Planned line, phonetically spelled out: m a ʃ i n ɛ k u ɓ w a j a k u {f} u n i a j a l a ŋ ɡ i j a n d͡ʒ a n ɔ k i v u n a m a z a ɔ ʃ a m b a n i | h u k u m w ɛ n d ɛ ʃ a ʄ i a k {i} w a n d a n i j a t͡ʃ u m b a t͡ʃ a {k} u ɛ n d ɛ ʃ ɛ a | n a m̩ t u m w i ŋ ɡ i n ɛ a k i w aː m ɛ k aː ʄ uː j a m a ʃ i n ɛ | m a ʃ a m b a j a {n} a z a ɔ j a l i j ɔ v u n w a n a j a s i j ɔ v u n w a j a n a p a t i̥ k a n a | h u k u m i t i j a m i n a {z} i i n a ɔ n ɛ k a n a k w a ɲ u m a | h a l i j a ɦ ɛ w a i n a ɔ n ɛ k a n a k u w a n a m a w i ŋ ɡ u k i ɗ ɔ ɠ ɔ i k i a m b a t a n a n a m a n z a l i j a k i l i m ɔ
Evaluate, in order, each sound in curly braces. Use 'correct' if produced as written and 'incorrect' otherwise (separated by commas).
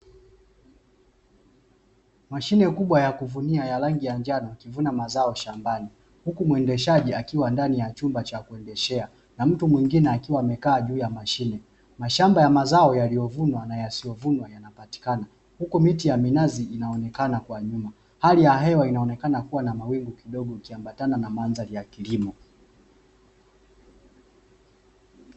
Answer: incorrect, correct, correct, incorrect, correct